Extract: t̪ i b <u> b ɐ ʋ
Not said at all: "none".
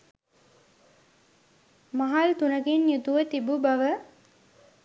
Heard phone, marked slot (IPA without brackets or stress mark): u